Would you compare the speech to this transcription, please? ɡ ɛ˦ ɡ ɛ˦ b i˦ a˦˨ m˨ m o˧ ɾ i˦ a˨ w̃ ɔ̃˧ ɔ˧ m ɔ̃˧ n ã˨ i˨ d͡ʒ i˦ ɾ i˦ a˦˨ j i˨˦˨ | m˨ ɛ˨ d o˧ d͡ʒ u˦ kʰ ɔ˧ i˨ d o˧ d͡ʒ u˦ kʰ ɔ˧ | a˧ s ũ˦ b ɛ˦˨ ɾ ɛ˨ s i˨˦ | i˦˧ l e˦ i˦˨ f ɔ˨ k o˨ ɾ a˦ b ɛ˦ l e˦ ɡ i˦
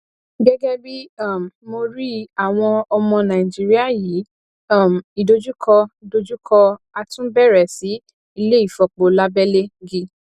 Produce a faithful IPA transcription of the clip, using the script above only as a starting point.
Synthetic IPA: ɡ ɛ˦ ɡ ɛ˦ b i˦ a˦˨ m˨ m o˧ ɾ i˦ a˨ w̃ ɔ̃˧ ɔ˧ m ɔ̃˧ n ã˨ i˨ d͡ʒ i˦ ɾ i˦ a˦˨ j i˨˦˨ | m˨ i˨ d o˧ d͡ʒ u˦ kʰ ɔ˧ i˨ d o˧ d͡ʒ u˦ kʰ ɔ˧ | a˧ t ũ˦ b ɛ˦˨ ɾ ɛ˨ s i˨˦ | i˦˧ l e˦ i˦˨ f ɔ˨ k͡p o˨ l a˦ b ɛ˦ l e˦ ɡ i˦